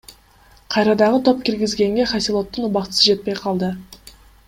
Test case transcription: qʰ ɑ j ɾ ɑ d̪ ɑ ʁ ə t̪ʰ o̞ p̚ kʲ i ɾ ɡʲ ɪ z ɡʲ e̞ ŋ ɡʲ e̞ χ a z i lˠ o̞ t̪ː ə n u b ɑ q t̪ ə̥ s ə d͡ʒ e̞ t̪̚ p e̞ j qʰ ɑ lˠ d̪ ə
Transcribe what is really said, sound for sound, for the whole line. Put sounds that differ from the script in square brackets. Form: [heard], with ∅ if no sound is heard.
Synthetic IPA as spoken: qʰ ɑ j ɾ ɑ d̪ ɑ ʁ ə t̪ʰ o̞ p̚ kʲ i ɾ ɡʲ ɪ z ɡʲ e̞ ŋ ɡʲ e̞ χ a [s] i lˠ o̞ t̪ː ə n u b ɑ q t̪ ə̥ s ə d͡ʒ e̞ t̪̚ p e̞ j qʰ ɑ lˠ d̪ ə